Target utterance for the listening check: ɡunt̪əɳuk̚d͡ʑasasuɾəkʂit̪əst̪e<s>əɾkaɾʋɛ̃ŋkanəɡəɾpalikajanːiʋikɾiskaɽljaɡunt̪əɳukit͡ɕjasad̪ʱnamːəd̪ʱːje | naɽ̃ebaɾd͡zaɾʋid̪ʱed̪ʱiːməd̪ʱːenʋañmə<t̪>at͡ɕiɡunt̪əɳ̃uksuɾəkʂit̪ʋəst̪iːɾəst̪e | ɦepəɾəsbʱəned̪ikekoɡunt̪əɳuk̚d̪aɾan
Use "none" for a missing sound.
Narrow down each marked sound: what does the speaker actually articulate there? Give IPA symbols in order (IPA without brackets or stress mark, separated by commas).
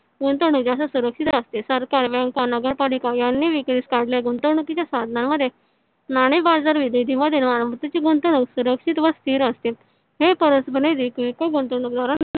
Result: s, t̪